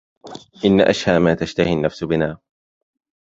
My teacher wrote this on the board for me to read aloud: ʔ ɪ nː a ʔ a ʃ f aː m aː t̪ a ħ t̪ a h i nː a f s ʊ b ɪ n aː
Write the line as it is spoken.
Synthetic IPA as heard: ʔ ɪ nː a ʔ a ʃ h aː m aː t̪ a ʃ t̪ a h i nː a f s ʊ b ɪ n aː

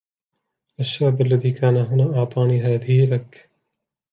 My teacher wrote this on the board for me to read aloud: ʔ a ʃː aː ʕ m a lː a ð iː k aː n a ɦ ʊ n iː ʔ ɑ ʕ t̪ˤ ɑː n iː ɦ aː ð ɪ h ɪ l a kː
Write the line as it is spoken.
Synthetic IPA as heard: ʔ a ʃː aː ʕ b a lː a ð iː k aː n a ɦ ʊ n aː ʔ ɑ ʕ t̪ˤ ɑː n iː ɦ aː ð ɪ h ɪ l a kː

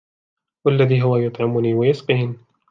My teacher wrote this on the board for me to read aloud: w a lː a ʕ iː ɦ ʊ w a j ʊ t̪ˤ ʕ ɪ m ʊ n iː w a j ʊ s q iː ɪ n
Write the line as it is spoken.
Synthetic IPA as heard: w a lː a ð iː ɦ ʊ w a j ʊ t̪ˤ ʕ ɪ m ʊ n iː w a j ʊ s q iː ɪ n

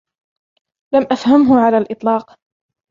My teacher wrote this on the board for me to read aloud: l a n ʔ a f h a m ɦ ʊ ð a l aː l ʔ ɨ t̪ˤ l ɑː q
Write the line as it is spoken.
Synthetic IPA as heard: l a m ʔ a f h a m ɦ ʊ ʕ a l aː l ʔ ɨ t̪ˤ l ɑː q

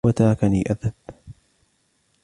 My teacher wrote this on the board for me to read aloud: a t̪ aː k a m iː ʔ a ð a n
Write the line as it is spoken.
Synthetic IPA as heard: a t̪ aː k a n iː ʔ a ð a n

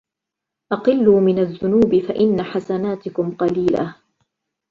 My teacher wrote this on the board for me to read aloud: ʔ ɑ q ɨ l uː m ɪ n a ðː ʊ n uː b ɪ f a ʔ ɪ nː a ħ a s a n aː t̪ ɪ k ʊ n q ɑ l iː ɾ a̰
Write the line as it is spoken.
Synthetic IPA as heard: ʔ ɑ q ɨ lː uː m ɪ n a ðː ʊ n uː b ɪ f a ʔ ɪ nː a ħ a s a n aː t̪ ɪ k ʊ m q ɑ l iː l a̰

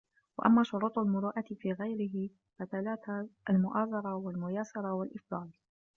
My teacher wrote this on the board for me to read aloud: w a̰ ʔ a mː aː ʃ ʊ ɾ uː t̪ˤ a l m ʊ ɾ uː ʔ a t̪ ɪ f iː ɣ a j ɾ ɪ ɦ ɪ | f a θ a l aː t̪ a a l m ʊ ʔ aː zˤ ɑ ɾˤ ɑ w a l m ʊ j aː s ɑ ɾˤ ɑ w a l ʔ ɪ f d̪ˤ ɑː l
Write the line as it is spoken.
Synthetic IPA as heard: w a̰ ʔ a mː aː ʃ ʊ ɾ uː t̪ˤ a l m ʊ ɾ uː ʔ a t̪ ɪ f iː ɣ a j ɾ ɪ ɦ ɪ | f a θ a l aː t̪ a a l m ʊ ʔ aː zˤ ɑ ɾˤ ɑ w a l m ʊ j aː s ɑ ɾˤ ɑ w a l ʔ ɪ f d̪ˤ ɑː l

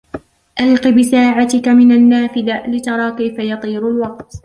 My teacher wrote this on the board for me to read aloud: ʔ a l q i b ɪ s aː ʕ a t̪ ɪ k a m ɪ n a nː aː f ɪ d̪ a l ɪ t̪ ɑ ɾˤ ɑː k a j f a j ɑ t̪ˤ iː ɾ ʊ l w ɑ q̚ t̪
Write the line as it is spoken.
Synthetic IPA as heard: ʔ a l q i b ɪ s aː ʕ a t̪ ɪ k a m ɪ n a nː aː f ɪ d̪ a l ɪ t̪ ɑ ɾˤ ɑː k a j f a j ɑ t̪ˤ iː ɾ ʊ l w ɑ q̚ t̪

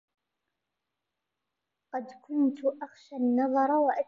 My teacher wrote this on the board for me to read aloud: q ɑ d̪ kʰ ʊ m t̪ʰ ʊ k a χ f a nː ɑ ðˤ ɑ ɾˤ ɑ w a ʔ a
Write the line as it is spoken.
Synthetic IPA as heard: q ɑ d̪ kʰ ʊ n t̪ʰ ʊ ʔ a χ ʃ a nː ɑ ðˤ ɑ ɾˤ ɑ w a ʔ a

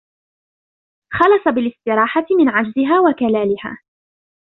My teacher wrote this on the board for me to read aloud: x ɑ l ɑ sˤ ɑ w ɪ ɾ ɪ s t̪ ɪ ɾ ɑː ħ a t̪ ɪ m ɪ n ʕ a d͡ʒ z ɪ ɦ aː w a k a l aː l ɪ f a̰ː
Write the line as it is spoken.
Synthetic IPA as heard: x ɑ l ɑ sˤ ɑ b ɪ l ɪ s t̪ ɪ ɾ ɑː ħ a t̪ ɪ m ɪ n ʕ a d͡ʒ z ɪ ɦ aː w a k a l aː l ɪ h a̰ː

